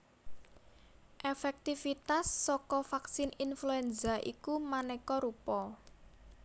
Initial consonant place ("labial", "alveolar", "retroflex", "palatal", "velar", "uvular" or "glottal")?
glottal